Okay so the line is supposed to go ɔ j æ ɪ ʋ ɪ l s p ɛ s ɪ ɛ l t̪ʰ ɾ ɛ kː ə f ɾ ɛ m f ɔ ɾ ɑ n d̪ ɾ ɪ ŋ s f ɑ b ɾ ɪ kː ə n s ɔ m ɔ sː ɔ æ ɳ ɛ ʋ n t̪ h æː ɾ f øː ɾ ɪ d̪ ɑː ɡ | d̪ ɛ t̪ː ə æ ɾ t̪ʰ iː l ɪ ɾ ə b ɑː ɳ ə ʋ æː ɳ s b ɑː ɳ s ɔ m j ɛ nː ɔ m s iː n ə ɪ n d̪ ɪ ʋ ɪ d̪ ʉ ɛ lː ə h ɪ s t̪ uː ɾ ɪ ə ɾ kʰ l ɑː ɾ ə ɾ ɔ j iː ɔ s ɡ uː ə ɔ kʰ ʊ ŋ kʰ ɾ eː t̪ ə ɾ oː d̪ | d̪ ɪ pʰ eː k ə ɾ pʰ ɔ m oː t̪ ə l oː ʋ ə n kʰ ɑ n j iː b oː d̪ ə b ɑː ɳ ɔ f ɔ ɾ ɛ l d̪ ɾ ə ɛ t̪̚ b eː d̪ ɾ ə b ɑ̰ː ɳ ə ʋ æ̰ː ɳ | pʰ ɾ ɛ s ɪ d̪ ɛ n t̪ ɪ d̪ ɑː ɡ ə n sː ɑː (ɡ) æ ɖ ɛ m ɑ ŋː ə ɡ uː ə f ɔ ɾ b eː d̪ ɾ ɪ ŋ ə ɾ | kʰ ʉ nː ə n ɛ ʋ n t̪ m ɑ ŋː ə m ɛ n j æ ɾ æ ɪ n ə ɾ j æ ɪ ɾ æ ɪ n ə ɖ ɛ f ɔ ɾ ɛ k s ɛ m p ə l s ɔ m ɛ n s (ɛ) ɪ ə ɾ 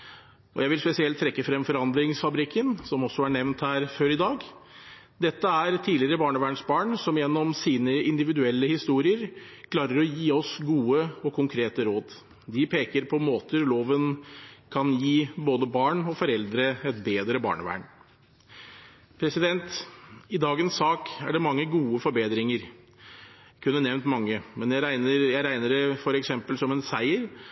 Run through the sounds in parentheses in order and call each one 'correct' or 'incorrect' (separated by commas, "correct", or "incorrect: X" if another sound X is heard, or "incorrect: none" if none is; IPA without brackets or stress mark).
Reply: incorrect: k, incorrect: æ